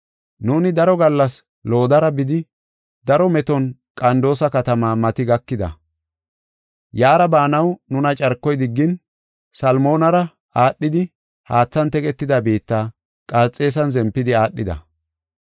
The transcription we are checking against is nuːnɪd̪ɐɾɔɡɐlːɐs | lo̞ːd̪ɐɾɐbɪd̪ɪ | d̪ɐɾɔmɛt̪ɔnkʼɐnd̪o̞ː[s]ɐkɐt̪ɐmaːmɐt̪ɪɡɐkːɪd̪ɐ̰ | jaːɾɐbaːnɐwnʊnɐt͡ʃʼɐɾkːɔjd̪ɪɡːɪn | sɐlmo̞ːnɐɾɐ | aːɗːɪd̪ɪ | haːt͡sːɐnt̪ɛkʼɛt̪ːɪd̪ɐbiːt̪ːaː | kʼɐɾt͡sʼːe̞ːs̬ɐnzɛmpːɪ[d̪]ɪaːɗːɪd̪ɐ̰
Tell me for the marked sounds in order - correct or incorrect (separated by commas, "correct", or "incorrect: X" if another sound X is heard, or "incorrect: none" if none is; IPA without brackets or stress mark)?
correct, correct